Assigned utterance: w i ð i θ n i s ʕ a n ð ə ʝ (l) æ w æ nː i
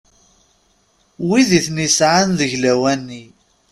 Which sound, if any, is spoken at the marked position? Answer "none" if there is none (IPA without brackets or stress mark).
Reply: l